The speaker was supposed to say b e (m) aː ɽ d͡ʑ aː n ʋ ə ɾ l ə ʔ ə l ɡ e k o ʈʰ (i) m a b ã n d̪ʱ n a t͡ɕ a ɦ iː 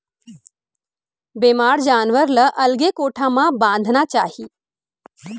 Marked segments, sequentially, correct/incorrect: correct, incorrect

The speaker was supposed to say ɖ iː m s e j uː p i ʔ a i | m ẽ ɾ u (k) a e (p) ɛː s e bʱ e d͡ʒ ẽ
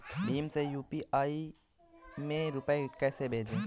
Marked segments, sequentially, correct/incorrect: incorrect, incorrect

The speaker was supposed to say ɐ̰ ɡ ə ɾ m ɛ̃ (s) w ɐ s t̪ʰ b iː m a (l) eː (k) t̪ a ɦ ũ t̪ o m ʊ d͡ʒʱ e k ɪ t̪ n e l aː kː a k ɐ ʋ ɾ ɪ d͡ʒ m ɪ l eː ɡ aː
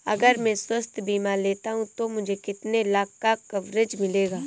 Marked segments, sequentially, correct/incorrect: correct, correct, incorrect

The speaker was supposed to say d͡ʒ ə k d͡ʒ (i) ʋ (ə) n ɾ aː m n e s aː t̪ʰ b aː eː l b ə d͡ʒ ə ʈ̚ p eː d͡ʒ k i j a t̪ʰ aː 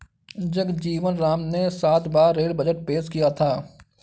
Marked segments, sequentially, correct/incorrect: incorrect, correct

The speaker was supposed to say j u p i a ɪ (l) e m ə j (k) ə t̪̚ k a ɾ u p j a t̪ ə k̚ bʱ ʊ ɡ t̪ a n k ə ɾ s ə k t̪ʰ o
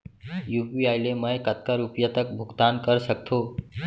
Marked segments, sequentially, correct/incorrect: correct, correct

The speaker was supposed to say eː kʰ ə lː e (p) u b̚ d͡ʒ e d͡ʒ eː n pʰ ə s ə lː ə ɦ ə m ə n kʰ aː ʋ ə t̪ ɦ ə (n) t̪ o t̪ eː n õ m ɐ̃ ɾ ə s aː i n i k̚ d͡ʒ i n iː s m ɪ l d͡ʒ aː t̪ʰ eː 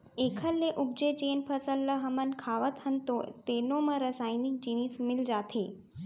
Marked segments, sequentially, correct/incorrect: incorrect, correct

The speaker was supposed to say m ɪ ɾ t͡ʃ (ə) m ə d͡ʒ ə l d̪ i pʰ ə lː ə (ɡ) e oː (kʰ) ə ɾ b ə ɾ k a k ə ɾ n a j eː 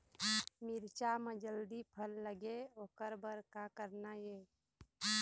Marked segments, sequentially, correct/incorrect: incorrect, correct, incorrect

